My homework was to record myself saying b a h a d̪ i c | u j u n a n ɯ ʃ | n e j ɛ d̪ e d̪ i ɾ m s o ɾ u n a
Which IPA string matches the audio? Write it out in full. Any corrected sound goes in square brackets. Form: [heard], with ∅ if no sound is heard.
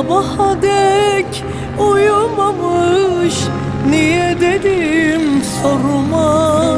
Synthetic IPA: b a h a d̪ [ɛ] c | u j u [m] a [m] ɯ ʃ | n [i] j ɛ d̪ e d̪ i [∅] m s o ɾ u [m] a